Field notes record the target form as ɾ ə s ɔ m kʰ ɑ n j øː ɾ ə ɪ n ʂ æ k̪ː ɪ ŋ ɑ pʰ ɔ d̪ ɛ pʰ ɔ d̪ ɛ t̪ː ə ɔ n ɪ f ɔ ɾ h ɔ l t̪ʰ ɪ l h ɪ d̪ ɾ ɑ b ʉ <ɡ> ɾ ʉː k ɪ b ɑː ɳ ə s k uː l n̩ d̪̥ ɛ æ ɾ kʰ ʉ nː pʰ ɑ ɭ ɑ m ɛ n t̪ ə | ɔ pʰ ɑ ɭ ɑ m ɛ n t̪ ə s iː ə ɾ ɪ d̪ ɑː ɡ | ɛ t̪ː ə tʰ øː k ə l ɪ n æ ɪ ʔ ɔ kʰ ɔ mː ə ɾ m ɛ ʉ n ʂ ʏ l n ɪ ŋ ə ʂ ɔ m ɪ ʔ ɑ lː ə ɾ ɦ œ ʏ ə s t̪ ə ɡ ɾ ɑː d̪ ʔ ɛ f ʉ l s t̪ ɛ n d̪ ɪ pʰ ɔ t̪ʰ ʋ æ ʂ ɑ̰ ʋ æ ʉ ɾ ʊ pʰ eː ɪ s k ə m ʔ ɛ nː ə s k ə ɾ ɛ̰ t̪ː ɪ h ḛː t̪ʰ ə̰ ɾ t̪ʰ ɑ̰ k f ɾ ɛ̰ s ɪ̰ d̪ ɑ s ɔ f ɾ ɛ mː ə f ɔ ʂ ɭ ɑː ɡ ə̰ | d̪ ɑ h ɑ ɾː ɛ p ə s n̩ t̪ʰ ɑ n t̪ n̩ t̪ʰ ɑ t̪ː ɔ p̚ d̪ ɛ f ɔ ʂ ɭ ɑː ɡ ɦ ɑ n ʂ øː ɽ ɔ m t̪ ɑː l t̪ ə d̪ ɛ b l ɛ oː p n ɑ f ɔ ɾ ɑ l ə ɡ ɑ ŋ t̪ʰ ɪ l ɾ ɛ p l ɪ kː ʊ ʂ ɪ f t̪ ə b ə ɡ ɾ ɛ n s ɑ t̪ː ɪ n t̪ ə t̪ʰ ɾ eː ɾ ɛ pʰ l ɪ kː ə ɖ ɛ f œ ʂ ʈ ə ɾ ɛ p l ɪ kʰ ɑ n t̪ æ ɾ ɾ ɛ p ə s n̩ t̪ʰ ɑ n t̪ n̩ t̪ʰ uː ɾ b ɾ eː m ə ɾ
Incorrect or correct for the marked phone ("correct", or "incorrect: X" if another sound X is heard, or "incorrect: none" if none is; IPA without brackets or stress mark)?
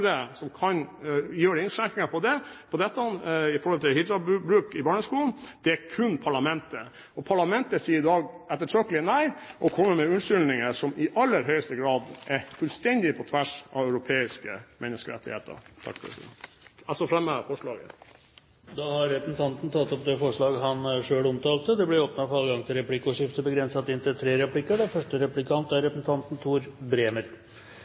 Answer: incorrect: b